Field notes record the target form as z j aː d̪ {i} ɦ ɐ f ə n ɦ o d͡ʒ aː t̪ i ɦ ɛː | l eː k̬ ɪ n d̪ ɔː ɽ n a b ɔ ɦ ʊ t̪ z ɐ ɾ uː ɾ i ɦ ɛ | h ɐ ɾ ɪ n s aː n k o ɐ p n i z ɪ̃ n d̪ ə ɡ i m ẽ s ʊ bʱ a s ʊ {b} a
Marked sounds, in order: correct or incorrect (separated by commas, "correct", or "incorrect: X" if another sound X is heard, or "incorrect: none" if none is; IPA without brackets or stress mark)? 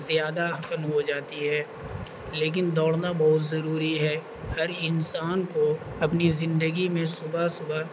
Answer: incorrect: a, correct